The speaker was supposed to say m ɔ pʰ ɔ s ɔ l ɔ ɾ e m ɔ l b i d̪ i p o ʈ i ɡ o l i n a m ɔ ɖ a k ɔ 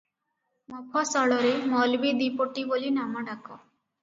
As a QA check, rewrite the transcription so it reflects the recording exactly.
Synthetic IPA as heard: m ɔ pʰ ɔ s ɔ ɭ ɔ ɾ e m ɔ l b i d̪ i p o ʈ i b o l i n a m ɔ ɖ a k ɔ